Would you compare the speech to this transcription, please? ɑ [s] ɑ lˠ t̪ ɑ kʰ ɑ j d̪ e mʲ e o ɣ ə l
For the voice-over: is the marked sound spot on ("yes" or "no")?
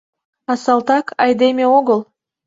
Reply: yes